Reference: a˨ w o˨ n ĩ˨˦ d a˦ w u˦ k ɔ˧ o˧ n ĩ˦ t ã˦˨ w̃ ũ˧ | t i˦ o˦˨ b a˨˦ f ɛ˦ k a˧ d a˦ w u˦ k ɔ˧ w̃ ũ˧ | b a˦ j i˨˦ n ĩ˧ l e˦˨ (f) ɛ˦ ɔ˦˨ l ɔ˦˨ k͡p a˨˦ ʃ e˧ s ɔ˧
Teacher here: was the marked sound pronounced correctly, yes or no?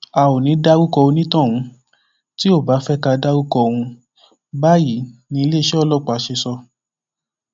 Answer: no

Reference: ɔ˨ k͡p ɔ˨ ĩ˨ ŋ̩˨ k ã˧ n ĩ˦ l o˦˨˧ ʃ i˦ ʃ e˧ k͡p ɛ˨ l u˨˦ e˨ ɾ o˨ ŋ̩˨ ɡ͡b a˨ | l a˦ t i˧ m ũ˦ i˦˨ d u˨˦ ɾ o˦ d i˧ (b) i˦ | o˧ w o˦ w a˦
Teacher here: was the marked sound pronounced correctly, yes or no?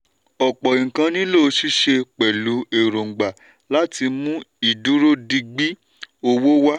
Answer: no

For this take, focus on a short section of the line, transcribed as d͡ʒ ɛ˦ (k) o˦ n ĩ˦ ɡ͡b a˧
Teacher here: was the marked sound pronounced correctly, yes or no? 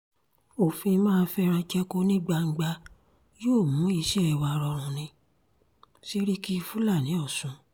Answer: yes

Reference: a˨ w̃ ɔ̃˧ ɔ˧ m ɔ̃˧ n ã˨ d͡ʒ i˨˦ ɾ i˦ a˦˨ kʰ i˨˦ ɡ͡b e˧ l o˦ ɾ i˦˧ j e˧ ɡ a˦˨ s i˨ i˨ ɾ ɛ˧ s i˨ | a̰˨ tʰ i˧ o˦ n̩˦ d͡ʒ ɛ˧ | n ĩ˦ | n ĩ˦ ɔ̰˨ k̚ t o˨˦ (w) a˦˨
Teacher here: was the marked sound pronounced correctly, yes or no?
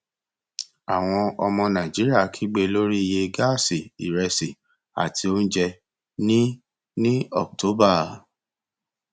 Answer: no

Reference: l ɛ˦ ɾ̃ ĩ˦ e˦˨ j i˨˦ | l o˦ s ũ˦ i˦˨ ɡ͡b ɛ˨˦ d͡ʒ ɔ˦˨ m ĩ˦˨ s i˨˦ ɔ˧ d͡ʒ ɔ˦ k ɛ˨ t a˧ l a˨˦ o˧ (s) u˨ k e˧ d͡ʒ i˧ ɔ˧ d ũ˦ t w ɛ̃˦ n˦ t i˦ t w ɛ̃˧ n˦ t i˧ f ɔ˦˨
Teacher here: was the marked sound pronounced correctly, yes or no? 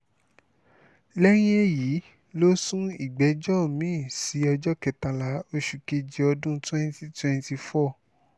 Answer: no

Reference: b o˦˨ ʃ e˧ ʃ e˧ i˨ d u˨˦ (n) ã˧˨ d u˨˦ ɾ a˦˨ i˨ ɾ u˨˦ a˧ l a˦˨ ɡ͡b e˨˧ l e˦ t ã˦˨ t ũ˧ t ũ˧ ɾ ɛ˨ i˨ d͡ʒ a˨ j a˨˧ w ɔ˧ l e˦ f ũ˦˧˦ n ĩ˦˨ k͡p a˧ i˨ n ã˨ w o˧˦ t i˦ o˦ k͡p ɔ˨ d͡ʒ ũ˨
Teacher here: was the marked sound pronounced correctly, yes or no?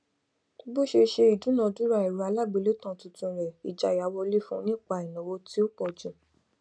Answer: yes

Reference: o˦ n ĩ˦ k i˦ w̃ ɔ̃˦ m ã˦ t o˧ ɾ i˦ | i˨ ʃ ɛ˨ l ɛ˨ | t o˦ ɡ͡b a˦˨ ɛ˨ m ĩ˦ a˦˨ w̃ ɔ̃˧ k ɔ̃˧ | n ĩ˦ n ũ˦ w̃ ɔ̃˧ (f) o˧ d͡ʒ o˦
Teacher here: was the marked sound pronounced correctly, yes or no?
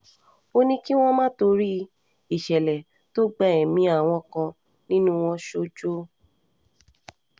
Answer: no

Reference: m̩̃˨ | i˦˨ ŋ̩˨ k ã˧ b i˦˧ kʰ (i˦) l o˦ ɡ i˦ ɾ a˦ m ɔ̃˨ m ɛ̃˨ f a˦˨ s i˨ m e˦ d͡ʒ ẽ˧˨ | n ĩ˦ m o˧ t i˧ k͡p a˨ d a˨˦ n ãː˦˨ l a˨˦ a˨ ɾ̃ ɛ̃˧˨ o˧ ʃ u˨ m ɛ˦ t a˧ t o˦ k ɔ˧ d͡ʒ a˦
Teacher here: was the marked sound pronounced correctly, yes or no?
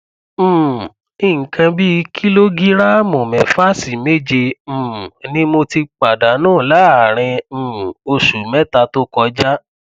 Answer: yes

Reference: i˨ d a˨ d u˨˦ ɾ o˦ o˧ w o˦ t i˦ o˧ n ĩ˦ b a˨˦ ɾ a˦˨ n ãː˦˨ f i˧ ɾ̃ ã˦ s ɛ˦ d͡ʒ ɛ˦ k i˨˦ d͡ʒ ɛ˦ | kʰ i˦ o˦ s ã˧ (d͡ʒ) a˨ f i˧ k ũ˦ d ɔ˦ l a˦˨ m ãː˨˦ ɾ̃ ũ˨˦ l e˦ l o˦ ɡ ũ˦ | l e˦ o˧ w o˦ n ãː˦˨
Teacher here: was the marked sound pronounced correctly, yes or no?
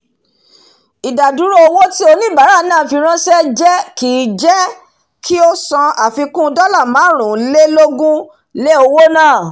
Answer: no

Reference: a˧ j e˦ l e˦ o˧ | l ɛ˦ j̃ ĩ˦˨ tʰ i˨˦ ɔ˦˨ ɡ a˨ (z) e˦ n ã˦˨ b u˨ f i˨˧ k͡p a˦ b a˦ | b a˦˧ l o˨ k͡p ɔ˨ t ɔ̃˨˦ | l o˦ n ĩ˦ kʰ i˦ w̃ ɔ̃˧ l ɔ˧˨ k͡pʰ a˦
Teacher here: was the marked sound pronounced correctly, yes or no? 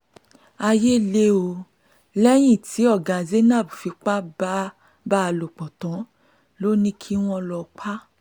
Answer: yes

